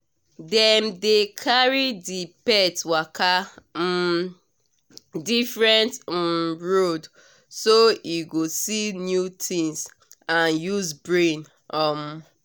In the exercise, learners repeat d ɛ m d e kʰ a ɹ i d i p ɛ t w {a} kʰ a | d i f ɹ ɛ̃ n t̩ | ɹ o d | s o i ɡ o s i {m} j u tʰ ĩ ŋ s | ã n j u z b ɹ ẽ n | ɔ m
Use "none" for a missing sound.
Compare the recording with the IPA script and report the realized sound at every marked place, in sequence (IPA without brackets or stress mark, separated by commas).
a, n